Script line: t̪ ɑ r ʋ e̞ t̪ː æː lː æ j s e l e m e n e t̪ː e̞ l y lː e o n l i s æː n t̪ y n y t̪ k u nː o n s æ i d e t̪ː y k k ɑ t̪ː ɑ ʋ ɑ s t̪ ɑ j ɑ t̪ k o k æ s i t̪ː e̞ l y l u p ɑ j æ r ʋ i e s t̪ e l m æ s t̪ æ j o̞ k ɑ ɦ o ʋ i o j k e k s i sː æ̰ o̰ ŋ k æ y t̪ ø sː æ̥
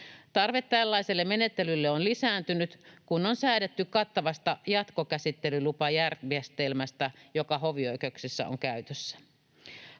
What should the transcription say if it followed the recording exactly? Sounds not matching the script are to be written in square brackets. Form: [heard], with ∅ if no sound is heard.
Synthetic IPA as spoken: t̪ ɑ r ʋ e̞ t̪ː [æ] lː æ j s e [lː] e m e n e t̪ː e̞ l y lː e o n l i s æː n t̪ y n y t̪ k u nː o n s æ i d e t̪ː y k k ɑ t̪ː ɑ ʋ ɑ s t̪ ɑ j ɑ t̪ k o k æ s i t̪ː e̞ l y l u p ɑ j æ r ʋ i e s t̪ e l m æ s t̪ æ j o̞ k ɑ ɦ o ʋ i o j k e k s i sː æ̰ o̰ ŋ k æ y t̪ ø sː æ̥